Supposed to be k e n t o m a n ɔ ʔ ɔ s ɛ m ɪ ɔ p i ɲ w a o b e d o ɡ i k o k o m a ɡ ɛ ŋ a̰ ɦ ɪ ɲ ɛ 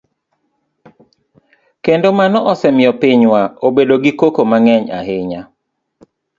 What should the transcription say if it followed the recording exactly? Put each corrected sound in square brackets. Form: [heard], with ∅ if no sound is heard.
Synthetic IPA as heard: k e n [d] o m a n ɔ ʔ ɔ s ɛ m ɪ ɔ p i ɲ w a o b e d o ɡ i k o k o m a [ŋ] ɛ [ɲ] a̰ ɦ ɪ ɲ [a]